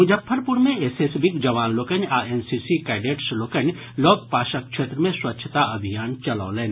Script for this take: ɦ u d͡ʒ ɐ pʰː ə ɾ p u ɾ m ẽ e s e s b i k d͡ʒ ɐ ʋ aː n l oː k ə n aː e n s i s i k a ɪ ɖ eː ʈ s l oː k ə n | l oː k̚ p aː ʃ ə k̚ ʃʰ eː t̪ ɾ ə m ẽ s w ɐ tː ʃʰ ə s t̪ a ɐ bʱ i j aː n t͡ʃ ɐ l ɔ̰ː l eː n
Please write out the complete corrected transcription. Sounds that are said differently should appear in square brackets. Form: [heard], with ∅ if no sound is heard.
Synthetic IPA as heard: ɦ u d͡ʒ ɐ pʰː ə ɾ p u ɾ m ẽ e s e s b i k d͡ʒ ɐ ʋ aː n l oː k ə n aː e n s i s i k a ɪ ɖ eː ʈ s l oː k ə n | l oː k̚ p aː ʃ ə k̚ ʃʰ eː t̪ ɾ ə m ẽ s w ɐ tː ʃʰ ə [∅] t̪ a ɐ bʱ i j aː n t͡ʃ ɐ l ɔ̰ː l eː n